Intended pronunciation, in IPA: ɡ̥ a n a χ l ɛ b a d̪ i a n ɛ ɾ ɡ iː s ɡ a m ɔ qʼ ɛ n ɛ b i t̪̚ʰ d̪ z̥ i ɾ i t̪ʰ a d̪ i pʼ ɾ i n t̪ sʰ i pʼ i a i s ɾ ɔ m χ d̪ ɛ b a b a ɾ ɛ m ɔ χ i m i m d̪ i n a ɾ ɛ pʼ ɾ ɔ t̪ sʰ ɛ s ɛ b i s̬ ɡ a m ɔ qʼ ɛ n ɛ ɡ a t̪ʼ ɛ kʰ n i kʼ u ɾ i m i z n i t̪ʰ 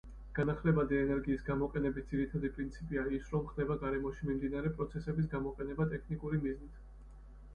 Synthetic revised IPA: ɡ̥ a n a χ l ɛ b a d̪ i ɛ n ɛ ɾ ɡ iː s ɡ a m ɔ qʼ ɛ n ɛ b i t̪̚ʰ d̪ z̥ i ɾ i t̪ʰ a d̪ i pʼ ɾ i n t̪ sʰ i pʼ i a i s ɾ ɔ m χ d̪ ɛ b a ɡ a ɾ ɛ m ɔ ʃ i m i m d̪ i n a ɾ ɛ pʼ ɾ ɔ t̪ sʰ ɛ s ɛ b i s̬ ɡ a m ɔ qʼ ɛ n ɛ b a t̪ʼ ɛ kʰ n i kʼ u ɾ i m i z n i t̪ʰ